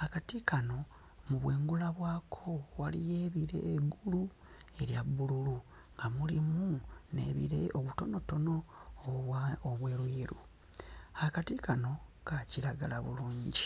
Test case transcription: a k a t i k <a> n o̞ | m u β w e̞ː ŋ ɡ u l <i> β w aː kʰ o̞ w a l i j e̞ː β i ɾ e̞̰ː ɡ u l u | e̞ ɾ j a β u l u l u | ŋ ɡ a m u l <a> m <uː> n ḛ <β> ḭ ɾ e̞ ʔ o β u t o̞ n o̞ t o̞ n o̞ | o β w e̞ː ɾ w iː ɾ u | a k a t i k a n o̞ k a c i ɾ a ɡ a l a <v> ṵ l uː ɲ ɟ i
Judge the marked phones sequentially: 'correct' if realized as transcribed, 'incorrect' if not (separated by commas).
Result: correct, incorrect, incorrect, incorrect, correct, incorrect